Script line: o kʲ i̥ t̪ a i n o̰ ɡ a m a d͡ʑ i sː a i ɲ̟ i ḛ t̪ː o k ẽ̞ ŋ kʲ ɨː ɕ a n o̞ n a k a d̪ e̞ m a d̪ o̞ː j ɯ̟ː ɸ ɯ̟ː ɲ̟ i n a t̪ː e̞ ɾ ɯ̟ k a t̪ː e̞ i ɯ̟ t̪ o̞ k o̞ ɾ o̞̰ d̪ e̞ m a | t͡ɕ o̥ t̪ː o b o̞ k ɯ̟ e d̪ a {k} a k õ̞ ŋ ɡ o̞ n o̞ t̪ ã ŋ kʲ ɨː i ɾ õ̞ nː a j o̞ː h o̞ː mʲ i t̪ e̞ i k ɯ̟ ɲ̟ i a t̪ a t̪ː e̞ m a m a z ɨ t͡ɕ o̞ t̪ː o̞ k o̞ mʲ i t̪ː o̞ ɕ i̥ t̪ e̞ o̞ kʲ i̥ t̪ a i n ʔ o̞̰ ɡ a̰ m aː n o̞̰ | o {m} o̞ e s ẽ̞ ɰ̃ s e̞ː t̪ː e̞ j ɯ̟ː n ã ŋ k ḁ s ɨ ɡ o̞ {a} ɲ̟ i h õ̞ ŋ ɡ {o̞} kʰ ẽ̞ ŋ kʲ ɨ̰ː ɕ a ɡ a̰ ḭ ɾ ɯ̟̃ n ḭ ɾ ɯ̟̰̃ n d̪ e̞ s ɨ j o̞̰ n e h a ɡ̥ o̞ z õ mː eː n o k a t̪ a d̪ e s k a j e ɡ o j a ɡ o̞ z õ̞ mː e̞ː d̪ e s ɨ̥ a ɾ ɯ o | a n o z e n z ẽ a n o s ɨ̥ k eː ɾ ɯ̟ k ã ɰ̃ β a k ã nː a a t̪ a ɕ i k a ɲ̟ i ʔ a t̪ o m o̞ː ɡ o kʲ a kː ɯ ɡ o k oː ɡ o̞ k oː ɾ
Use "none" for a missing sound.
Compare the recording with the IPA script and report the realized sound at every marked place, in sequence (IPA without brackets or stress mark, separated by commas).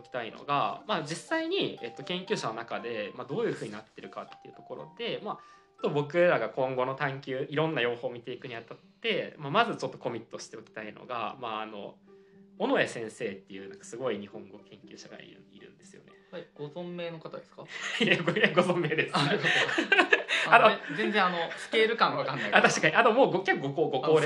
ɡ, n, i, o̞